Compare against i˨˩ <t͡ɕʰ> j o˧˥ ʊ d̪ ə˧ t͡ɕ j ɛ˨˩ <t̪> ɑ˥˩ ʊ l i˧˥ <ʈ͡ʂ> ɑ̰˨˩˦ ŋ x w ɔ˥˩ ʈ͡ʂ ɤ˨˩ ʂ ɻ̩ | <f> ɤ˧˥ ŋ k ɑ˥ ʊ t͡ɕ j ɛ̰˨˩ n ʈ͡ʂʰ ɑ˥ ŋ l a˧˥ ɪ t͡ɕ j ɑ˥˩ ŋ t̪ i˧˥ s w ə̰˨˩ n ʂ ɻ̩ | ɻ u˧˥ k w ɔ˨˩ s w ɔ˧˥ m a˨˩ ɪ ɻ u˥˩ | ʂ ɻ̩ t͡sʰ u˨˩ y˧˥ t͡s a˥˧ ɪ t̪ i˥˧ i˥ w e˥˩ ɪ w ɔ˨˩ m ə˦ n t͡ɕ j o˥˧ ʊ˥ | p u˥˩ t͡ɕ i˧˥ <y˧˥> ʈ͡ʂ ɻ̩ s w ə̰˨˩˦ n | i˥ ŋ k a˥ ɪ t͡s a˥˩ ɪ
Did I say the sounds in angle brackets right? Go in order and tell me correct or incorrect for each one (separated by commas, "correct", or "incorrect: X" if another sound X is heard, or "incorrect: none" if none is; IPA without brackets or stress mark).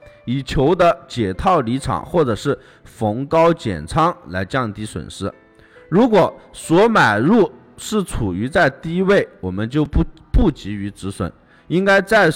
correct, incorrect: t̪ʰ, incorrect: ʈ͡ʂʰ, correct, correct